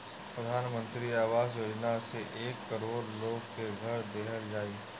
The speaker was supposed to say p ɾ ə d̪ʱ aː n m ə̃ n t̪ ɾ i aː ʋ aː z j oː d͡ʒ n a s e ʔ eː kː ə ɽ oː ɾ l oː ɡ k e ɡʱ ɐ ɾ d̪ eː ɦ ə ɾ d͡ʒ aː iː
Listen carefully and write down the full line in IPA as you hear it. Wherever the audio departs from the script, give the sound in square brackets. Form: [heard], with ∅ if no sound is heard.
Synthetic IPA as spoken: p ɾ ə d̪ʱ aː n m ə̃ n t̪ ɾ i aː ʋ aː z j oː d͡ʒ n a s e ʔ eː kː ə [ɾ] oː ɾ l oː ɡ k e ɡʱ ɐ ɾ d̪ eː ɦ ə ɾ d͡ʒ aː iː

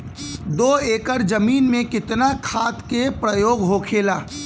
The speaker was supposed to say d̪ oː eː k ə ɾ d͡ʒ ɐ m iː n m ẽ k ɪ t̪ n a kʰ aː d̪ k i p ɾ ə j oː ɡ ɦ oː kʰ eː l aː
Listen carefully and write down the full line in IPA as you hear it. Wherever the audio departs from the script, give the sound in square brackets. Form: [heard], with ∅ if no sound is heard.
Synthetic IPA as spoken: d̪ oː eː k ə ɾ d͡ʒ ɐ m iː n m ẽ k ɪ t̪ n a kʰ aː [t̪] k [e] p ɾ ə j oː ɡ ɦ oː kʰ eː l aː

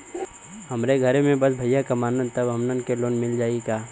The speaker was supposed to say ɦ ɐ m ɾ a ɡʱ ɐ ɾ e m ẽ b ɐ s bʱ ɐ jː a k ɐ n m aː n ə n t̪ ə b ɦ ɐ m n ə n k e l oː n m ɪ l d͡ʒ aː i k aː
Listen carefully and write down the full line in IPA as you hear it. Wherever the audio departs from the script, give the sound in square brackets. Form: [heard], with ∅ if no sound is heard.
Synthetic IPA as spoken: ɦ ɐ m ɾ [e] ɡʱ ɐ ɾ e m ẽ b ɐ s bʱ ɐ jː a k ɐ [∅] m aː n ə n t̪ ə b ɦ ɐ m n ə n k e l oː n m ɪ l d͡ʒ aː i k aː

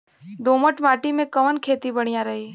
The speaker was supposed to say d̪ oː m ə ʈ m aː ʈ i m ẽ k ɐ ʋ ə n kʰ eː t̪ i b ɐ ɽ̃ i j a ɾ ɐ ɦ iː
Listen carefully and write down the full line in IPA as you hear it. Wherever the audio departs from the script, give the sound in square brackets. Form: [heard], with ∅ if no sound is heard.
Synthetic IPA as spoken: d̪ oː m ə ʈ m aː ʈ i m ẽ k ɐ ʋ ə n kʰ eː t̪ i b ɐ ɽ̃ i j a ɾ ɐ ɦ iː

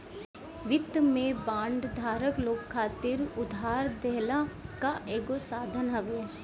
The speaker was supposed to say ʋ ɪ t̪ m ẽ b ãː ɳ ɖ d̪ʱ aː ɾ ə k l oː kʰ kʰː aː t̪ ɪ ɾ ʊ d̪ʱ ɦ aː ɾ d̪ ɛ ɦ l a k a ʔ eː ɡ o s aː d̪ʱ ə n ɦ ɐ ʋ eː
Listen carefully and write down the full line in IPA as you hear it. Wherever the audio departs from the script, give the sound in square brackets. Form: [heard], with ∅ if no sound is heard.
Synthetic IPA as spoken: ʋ ɪ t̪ m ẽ b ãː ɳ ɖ d̪ʱ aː ɾ ə k l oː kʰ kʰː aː t̪ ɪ ɾ ʊ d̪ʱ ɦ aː ɾ d̪ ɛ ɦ l a k a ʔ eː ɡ o s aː d̪ʱ ə n ɦ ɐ ʋ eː

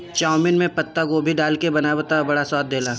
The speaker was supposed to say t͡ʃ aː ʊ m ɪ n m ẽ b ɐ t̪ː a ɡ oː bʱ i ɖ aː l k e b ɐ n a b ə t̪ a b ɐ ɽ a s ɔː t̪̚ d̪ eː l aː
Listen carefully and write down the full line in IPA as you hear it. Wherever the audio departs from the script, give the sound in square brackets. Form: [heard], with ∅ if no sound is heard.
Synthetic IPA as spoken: t͡ʃ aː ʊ m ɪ n m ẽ [p] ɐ t̪ː a ɡ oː bʱ i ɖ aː l k e b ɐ n a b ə t̪ a b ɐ ɽ a s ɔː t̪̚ d̪ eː l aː

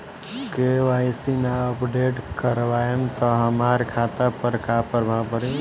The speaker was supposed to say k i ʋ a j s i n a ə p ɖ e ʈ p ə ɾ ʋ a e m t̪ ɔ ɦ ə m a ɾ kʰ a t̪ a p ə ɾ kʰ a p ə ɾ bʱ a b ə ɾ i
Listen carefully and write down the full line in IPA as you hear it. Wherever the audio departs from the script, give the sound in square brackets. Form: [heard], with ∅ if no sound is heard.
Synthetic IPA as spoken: k [e] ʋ a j s i n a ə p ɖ e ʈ [k] ə ɾ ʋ a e m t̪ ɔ ɦ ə m a ɾ kʰ a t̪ a p ə ɾ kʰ a p ə ɾ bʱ a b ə ɾ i

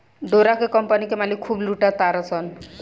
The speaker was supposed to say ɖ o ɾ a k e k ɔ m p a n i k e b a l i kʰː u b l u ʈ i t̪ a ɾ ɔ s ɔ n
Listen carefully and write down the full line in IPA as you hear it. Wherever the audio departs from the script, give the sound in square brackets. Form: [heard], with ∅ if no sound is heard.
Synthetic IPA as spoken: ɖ o ɾ a k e k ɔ m p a n i k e [m] a l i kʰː u b l u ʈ [a] t̪ a ɾ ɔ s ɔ n

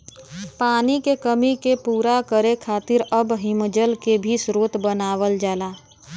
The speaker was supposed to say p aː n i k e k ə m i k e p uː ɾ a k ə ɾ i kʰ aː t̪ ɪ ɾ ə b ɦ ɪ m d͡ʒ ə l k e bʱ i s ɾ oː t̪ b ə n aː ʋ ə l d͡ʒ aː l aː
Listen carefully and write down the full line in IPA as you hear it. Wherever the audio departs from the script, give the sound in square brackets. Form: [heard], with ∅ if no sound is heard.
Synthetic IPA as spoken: p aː n i k e k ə m i k e p uː ɾ a k ə ɾ [e] kʰ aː t̪ ɪ ɾ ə b ɦ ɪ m d͡ʒ ə l k e bʱ i s ɾ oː t̪ b ə n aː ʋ ə l d͡ʒ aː l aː

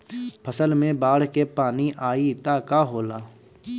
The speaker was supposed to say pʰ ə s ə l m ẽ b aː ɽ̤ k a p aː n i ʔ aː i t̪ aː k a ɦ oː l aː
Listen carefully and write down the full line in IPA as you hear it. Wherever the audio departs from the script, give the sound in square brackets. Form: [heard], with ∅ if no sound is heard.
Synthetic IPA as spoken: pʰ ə s ə l m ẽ b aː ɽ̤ k [e] p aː n i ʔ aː i t̪ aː k a ɦ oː l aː

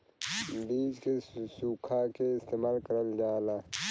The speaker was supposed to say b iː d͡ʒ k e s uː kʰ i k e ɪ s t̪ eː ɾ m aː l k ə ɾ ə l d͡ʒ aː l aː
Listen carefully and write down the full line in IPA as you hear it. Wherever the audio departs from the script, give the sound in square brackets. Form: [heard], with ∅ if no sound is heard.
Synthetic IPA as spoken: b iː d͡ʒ k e s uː kʰ [a] k e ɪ s t̪ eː [∅] m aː l k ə ɾ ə l d͡ʒ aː l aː

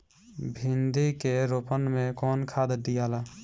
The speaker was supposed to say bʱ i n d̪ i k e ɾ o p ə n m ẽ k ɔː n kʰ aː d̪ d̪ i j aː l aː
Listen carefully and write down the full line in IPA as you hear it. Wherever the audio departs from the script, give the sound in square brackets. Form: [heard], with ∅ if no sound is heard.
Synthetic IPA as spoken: bʱ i n d̪ i k e ɾ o p ə n m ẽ k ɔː n kʰ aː d̪ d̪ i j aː l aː

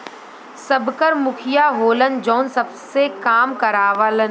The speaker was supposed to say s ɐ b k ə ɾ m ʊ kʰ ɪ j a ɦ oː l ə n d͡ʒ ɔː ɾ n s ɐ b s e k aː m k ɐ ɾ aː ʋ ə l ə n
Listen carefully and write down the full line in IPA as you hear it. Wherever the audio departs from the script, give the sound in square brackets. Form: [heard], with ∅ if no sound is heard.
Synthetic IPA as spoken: s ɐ b k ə ɾ m ʊ kʰ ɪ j a ɦ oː l ə n d͡ʒ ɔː [∅] n s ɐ b s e k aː m k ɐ ɾ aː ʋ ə l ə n

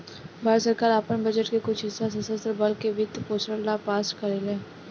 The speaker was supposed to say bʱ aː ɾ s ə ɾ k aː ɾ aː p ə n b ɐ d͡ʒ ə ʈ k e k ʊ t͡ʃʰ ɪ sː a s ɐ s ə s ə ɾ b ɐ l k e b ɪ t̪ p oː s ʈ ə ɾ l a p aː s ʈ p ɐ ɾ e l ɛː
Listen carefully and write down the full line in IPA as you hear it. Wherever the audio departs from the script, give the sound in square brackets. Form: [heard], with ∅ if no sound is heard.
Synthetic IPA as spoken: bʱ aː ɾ s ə ɾ k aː ɾ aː p ə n b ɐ d͡ʒ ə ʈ k e k ʊ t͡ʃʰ ɪ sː a s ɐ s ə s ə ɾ b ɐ l k e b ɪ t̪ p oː s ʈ ə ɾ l a p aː s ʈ [k] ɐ ɾ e l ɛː

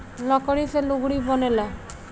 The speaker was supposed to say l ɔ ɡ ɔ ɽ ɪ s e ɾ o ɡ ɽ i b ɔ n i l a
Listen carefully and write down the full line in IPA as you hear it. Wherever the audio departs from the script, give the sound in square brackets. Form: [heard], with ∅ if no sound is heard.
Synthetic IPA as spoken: l ɔ [k] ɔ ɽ [i] s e [l] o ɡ ɽ i b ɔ n [e] l a

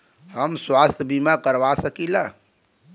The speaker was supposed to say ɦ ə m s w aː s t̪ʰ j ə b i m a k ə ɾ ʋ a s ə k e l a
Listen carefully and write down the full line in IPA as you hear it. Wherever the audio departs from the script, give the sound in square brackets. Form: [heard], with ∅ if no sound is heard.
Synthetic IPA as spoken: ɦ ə m s w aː s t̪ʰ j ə b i m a k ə ɾ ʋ a s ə k [i] l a

